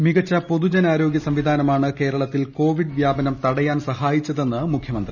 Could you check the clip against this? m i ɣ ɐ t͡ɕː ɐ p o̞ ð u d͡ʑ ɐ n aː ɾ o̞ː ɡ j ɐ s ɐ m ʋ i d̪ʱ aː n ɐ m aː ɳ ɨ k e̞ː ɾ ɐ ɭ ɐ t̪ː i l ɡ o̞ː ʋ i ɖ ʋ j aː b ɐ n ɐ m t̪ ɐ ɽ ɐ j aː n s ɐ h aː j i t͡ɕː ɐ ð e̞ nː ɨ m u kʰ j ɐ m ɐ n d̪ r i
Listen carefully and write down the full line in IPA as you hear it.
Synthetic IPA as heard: m i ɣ ɐ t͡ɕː ɐ p o̞ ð u d͡ʑ ɐ n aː ɾ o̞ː ɡ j ɐ s ɐ m ʋ i d̪ʱ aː n ɐ m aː ɳ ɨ k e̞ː ɾ ɐ ɭ ɐ t̪ː i l k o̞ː ʋ i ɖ ʋ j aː b ɐ n ɐ m t̪ ɐ ɽ ɐ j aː n s ɐ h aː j i t͡ɕː ɐ ð e̞ nː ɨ m u kʰ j ɐ m ɐ n d̪ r i

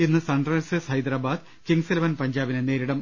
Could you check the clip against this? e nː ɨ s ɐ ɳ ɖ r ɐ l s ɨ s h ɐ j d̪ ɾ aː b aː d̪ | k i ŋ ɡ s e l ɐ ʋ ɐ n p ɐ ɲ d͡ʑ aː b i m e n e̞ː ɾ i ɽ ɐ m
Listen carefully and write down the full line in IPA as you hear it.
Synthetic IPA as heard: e nː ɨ s ɐ ɳ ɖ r ɐ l s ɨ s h ɐ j d̪ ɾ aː b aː d̪ | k i ŋ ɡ s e l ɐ ʋ ɐ n p ɐ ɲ d͡ʑ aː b i n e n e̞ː ɾ i ɽ ɐ m

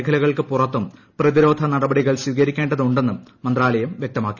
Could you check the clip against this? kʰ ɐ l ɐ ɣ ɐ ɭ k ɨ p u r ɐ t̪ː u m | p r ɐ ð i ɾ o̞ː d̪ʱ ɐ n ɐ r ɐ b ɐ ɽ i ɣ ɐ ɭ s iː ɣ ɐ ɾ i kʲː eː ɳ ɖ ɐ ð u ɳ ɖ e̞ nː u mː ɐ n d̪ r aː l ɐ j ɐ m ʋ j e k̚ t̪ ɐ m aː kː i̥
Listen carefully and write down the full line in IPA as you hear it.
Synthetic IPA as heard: kʰ ɐ l ɐ ɣ ɐ ɭ k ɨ p u r ɐ t̪ː u m | p r ɐ ð i ɾ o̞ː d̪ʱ ɐ n ɐ ɽ ɐ b ɐ ɽ i ɣ ɐ ɭ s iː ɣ ɐ ɾ i kʲː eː ɳ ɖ ɐ ð u ɳ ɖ e̞ nː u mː ɐ n d̪ r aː l ɐ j ɐ m ʋ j e k̚ t̪ ɐ m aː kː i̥

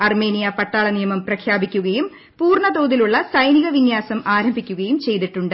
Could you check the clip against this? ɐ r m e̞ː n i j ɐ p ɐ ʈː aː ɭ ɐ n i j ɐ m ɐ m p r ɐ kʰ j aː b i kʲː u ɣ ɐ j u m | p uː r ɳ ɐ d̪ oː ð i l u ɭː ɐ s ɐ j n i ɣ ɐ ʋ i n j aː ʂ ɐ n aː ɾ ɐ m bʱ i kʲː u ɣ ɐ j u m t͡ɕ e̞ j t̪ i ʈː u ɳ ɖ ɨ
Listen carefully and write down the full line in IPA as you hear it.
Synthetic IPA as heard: ɐ r m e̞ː n i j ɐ p ɐ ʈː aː ɭ ɐ n i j ɐ m ɐ m p r ɐ kʰ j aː b i kʲː u ɣ ɐ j u m | p uː r ɳ ɐ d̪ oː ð i l u ɭː ɐ s ɐ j n i ɣ ɐ ʋ i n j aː s ɐ m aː ɾ ɐ m bʱ i kʲː u ɣ ɐ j u m t͡ɕ e̞ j t̪ i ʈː u ɳ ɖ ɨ

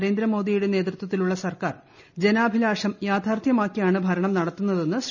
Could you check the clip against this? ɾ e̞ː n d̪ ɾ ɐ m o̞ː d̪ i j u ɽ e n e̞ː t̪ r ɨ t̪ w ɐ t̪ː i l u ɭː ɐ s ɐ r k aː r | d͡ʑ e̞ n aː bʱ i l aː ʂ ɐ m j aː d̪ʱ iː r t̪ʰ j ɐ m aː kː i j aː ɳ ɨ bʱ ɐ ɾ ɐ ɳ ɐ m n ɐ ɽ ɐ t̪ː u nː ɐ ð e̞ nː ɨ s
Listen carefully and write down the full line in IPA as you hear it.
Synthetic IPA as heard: ɾ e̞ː n d̪ ɾ ɐ m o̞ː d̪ i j u ɽ e n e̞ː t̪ r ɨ t̪ w ɐ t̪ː i l u ɭː ɐ s ɐ r k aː r | d͡ʑ e̞ n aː bʱ i l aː ʂ ɐ m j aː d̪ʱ aː r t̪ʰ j ɐ m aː kː i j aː ɳ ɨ bʱ ɐ ɾ ɐ ɳ ɐ m n ɐ ɽ ɐ t̪ː u nː ɐ ð e̞ nː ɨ s

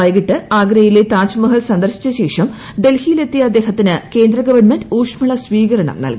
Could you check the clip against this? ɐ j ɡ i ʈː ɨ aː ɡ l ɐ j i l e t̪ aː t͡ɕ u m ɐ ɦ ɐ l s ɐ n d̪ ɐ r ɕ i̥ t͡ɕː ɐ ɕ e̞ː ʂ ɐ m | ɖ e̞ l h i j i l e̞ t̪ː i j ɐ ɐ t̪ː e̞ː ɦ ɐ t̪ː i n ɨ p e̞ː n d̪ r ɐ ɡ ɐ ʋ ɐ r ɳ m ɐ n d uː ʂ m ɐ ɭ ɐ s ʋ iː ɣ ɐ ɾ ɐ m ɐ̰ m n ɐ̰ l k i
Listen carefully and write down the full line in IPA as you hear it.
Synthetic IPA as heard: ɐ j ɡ i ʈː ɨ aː ɡ ɾ ɐ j i l e t̪ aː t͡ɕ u m ɐ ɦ ɐ l s ɐ n d̪ ɐ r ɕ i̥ t͡ɕː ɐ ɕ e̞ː ʂ ɐ m | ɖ e̞ l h i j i l e̞ t̪ː i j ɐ ɐ d̪ː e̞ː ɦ ɐ t̪ː i n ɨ k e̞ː n d̪ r ɐ ɡ ɐ ʋ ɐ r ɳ m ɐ n d uː ʂ m ɐ ɭ ɐ s ʋ iː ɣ ɐ ɾ ɐ ɳ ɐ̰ m n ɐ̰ l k i

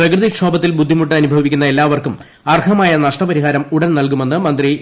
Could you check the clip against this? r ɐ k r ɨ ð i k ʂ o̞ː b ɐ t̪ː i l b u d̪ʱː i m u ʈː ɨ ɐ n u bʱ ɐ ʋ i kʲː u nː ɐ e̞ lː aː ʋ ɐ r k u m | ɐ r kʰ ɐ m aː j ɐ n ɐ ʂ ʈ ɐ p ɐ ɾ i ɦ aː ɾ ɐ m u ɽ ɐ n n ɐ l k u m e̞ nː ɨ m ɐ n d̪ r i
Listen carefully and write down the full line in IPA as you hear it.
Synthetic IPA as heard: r ɐ k r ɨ ð i k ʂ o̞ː b ɐ t̪ː i l b u d̪ʱː i m u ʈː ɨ ɐ n u bʱ ɐ ʋ i kʲː u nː ɐ e̞ lː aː ʋ ɐ r k u m | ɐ r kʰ ɐ m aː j ɐ n ɐ ʂ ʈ ɐ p ɐ ɾ i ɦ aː ɾ ɐ m u ɽ ɐ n n ɐ l k u m e̞ nː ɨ m ɐ n d̪ r i

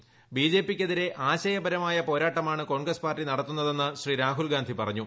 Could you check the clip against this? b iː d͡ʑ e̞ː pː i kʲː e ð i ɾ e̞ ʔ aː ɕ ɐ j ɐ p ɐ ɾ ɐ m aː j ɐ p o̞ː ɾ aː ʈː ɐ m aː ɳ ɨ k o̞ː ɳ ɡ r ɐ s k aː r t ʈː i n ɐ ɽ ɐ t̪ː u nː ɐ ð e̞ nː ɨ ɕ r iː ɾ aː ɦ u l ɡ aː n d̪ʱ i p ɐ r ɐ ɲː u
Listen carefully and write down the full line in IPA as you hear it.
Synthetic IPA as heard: b iː d͡ʑ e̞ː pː i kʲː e ð i ɾ e̞ ʔ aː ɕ ɐ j ɐ b ɐ ɾ ɐ m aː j ɐ p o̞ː ɾ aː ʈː ɐ m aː ɳ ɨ k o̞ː ɳ ɡ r ɐ s p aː r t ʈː i n ɐ ɽ ɐ t̪ː u nː ɐ ð e̞ nː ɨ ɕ r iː ɾ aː ɦ u l ɡ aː n d̪ʱ i p ɐ r ɐ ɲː u

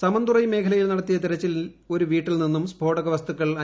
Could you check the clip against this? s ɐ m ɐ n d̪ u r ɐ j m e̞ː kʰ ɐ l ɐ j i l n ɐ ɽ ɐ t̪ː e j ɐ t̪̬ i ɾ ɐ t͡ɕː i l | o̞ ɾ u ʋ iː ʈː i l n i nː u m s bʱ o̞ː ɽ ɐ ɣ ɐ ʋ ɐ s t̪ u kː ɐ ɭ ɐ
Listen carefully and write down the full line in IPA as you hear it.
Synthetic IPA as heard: s ɐ m ɐ n d̪ u r ɐ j m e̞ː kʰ ɐ l ɐ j i l n ɐ ɽ ɐ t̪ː i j ɐ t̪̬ i ɾ ɐ t͡ɕː i l | o̞ ɾ u ʋ iː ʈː i l n i nː u m s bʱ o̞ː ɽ ɐ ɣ ɐ ʋ ɐ s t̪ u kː ɐ ɭ ɐ

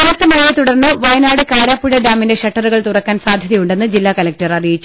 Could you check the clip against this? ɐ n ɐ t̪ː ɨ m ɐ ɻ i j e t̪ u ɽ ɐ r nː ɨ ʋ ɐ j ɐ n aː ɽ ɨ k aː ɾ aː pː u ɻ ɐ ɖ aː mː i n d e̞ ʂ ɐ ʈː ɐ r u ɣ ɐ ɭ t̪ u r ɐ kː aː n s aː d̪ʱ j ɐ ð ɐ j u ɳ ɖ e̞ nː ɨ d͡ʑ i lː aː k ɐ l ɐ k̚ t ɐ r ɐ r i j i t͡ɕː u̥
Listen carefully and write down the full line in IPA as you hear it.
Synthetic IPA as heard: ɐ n ɐ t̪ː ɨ m ɐ ɻ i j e t̪ u ɽ ɐ r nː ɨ ʋ ɐ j ɐ n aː ɽ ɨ k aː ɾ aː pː u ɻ ɐ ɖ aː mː i n d e̞ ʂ ɐ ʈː ɐ r u ɣ ɐ ɭ t̪ u r ɐ kː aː n s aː d̪ʱ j ɐ ð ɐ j u ɳ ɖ e̞ nː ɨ d͡ʑ i lː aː k ɐ l ɐ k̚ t ɐ r ɐ r i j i t͡ɕː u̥

